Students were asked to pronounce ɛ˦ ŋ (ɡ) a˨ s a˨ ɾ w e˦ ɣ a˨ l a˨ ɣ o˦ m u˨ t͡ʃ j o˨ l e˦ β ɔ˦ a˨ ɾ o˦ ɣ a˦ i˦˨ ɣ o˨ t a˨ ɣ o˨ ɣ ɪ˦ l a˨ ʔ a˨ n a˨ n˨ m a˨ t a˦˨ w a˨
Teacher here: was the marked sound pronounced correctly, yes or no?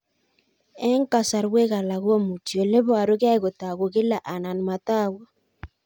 no